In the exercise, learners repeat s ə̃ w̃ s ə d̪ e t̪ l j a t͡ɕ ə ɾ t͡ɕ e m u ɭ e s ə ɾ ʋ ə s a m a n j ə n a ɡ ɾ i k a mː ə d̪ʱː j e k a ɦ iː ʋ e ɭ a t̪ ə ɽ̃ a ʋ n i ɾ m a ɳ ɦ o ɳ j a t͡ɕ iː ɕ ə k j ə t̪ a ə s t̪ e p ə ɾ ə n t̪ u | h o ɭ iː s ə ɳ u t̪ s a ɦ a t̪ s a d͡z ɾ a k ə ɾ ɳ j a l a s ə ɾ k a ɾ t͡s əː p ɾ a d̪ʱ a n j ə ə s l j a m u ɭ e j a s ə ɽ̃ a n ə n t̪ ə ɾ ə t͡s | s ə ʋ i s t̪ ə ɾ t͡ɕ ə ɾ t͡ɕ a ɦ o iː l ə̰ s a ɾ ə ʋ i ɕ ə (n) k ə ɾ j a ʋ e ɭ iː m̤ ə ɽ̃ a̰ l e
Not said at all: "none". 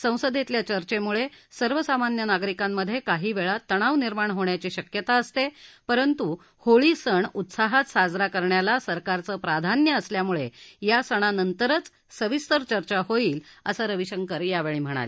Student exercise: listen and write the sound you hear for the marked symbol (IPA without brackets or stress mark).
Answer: ŋ